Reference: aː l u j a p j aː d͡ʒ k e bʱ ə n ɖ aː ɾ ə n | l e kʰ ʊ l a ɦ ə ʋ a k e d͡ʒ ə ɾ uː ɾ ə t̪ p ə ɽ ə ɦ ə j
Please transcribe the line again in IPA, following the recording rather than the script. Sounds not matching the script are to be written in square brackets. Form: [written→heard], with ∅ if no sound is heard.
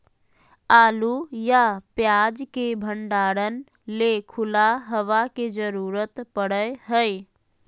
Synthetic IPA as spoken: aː l u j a p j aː d͡ʒ k e bʱ ə [n→ɳ] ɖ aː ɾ ə n | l e kʰ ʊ l a ɦ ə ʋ a k e d͡ʒ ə ɾ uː ɾ ə t̪ p ə ɽ ə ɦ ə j